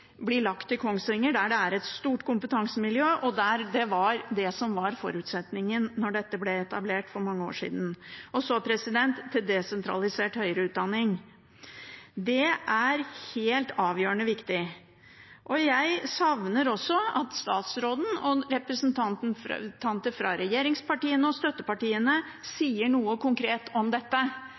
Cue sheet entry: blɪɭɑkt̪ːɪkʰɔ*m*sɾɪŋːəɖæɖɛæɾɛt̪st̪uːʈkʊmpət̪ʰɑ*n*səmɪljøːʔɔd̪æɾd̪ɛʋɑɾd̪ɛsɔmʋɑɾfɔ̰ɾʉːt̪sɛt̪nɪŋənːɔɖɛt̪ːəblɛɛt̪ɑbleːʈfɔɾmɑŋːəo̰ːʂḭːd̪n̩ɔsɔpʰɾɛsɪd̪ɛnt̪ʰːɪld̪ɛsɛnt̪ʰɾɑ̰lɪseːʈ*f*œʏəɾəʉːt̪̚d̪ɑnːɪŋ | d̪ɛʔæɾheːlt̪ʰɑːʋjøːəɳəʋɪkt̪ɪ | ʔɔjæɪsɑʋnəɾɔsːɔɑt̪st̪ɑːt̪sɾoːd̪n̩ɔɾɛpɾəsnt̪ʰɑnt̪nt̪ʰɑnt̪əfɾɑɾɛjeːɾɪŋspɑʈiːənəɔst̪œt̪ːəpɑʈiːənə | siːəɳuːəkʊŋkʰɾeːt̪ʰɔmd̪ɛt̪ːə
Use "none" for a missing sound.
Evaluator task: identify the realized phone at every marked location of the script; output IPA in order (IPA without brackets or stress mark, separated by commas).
ŋ, ŋ, h